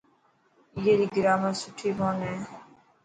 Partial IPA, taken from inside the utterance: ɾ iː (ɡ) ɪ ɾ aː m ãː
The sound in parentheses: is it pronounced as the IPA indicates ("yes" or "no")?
yes